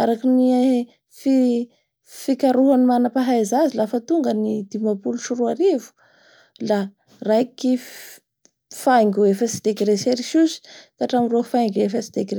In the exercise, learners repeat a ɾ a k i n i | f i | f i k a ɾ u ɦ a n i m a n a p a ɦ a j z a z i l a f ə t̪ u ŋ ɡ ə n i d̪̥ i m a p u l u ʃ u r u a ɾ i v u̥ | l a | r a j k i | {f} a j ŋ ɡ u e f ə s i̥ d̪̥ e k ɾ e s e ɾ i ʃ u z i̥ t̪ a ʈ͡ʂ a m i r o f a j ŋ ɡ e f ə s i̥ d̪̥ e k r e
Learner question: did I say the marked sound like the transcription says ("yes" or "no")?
yes